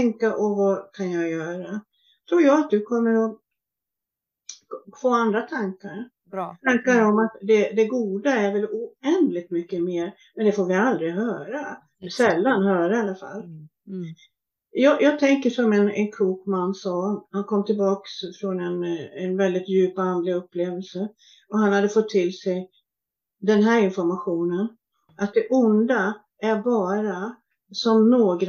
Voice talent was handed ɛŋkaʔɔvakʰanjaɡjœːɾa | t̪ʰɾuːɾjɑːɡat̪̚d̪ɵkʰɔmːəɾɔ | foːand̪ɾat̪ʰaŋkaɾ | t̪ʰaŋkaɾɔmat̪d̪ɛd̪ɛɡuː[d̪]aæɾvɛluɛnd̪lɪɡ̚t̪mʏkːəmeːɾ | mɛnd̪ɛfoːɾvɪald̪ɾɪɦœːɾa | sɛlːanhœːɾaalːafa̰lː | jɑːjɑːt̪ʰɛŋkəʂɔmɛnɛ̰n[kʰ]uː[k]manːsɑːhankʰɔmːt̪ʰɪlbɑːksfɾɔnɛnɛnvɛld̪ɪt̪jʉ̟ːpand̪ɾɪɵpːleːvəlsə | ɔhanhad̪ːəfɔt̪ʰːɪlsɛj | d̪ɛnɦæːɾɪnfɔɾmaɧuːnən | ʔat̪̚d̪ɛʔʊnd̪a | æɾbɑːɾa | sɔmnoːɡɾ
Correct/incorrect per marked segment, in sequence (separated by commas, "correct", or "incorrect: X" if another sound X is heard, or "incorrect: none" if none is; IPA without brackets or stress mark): correct, correct, correct